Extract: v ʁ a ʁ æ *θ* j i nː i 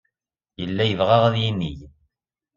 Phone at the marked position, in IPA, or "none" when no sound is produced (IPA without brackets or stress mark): ð